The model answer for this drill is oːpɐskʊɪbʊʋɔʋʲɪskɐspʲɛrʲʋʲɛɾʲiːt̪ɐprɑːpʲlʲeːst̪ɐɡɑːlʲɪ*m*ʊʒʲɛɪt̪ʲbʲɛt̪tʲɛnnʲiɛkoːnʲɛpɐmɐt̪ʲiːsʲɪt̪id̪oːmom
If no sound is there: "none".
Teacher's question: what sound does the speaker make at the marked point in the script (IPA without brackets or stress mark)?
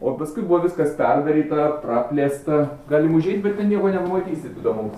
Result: m